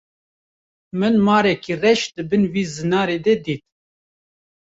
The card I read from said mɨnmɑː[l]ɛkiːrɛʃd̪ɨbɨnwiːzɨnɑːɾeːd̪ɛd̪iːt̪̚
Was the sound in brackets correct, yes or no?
no